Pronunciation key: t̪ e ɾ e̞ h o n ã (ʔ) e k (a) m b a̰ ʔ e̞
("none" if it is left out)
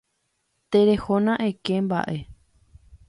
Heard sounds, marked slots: ʔ, e

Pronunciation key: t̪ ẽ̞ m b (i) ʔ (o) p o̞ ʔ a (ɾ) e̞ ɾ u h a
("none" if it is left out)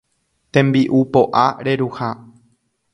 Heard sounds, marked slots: i, u, ɾ

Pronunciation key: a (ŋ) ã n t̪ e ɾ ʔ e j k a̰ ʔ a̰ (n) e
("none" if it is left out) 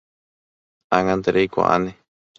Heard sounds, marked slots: ŋ, n

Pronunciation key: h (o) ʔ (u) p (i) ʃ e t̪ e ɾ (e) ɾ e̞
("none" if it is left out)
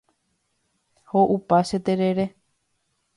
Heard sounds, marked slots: o, u, a, e

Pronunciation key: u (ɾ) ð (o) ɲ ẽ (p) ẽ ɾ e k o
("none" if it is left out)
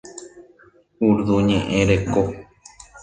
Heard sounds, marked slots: ɾ, u, ʔ

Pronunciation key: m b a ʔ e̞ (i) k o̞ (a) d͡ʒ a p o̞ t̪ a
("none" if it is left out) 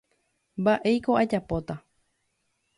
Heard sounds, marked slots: j, a

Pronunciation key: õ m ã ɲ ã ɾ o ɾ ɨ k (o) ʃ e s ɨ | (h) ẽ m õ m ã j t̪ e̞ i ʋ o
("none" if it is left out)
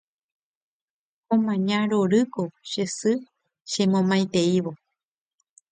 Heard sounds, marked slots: o, ʃ

